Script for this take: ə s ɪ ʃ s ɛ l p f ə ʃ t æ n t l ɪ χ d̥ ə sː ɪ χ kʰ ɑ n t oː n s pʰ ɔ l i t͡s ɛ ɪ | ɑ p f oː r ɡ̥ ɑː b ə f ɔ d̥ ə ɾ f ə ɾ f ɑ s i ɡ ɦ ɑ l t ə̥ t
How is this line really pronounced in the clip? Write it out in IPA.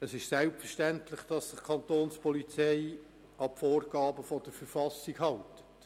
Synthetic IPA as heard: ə s ɪ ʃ s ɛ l p f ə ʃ t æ n t l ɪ χ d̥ ɑ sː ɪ χ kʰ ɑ n t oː n s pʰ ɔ l i t͡s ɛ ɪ | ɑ p f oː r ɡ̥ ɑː b ə f ɔ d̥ ə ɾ f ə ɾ f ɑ s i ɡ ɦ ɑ l t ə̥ t